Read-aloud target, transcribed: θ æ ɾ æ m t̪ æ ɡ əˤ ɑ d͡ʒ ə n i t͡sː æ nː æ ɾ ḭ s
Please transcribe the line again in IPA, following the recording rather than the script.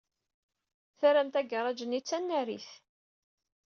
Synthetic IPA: θ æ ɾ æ m t̪ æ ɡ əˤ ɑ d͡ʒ ə n i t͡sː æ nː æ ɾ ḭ θ